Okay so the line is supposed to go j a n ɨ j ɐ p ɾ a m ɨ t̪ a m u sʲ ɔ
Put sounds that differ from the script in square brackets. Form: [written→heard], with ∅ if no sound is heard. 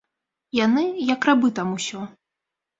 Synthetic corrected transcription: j a n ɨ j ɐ [p→k] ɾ a [m→b] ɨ t̪ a m u sʲ ɔ